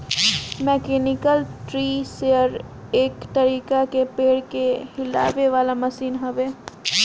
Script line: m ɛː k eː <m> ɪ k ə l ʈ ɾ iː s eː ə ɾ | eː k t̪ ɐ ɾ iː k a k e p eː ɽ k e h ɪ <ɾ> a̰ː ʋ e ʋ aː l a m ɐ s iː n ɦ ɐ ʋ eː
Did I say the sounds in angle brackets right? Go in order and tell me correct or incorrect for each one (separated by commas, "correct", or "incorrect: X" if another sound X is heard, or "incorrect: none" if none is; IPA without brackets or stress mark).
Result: incorrect: n, incorrect: l